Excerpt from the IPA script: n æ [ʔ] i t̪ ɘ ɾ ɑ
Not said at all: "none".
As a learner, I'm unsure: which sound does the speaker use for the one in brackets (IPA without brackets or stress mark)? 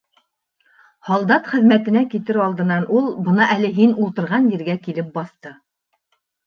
k